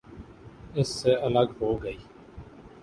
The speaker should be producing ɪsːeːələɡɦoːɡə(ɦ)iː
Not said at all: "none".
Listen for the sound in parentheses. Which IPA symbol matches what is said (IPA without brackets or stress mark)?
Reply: none